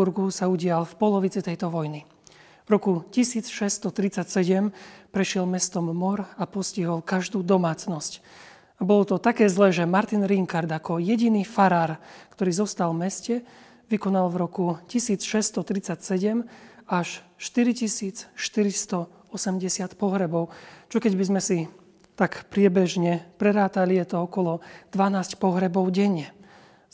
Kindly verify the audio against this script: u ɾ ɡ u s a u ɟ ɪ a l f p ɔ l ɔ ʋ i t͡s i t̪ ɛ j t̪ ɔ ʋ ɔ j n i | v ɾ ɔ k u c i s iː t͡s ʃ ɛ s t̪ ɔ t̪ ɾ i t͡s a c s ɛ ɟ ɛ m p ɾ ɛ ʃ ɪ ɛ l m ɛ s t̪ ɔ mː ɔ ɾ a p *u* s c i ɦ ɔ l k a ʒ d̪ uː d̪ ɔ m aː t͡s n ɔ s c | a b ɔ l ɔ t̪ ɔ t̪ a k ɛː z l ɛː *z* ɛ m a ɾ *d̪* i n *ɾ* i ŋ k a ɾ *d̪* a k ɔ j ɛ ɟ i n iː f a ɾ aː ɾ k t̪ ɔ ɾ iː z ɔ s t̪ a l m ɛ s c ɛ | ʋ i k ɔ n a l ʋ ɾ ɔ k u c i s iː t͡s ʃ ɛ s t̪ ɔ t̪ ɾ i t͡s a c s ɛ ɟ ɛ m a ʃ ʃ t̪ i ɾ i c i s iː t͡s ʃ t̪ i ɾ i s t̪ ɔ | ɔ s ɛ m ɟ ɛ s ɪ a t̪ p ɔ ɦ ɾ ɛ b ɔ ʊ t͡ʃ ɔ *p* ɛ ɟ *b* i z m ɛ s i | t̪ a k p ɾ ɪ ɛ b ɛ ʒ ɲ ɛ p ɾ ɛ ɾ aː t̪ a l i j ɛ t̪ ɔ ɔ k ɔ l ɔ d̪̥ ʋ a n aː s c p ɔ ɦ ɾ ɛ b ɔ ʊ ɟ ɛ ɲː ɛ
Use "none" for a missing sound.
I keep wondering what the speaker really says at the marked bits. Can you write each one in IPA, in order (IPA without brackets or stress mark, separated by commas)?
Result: ɔ, ʒ, t̪, ɾ, d̪, k, b